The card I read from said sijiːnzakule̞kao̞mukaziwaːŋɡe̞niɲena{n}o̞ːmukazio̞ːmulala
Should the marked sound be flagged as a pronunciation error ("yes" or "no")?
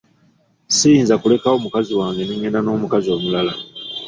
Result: no